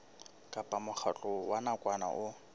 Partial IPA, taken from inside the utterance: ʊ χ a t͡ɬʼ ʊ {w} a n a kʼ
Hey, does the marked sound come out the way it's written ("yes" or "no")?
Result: yes